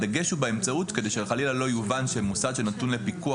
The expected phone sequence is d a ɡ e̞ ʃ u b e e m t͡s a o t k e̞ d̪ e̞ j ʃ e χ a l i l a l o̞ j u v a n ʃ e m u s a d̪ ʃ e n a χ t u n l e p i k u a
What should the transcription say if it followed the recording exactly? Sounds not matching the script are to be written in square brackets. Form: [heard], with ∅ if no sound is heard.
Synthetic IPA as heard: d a ɡ e̞ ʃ u b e e m t͡s a [u] t k e̞ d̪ e̞ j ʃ e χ a l i l a l o̞ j u v a n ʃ e m u s a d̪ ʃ e n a [∅] t u n l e p i k u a